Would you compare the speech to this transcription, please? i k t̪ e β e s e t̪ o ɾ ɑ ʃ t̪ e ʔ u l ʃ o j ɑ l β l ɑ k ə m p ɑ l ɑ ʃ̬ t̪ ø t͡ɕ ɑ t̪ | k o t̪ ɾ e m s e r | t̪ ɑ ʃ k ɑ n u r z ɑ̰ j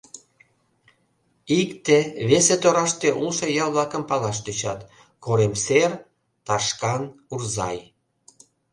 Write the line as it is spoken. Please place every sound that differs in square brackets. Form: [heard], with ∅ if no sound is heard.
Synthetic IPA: i k t̪ e β e s e t̪ o ɾ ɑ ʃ t̪ e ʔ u l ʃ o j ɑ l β l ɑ k ə m p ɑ l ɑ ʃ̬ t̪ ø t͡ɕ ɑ t̪ | k o [∅] ɾ e m s e r | t̪ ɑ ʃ k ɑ n u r z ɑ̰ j